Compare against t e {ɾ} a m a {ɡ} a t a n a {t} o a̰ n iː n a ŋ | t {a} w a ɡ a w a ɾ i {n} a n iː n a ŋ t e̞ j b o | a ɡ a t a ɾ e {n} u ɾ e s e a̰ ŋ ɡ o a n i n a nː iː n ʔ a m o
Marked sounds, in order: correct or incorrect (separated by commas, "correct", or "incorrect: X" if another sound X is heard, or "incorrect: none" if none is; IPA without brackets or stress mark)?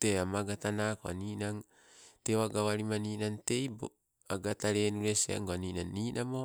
incorrect: none, correct, incorrect: k, incorrect: e, incorrect: m, correct